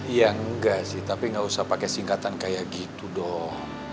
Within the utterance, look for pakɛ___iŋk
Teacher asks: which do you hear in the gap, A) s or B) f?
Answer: A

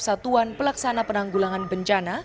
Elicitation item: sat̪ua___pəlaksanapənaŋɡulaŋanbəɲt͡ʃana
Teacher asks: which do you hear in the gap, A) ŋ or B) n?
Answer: B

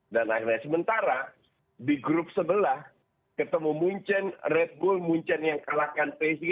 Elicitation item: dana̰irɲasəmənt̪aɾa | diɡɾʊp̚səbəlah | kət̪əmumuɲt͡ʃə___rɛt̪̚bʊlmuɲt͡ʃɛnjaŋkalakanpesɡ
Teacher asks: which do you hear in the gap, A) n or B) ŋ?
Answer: A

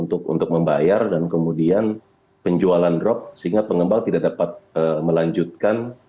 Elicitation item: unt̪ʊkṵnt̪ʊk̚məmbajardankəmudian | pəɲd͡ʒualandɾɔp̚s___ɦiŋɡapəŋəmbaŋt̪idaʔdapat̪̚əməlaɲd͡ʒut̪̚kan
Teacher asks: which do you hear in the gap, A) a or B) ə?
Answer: B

